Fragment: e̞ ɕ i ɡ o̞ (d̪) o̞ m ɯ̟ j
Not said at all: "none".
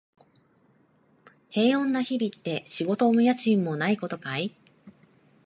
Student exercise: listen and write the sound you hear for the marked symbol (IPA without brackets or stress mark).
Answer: t̪